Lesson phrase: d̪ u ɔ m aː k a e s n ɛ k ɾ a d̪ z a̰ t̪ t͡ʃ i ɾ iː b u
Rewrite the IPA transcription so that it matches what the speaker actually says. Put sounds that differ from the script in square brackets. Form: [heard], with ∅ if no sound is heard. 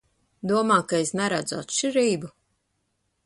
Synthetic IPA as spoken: d̪ u ɔ m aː k a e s n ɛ [∅] ɾ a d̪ z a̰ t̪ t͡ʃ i ɾ iː b u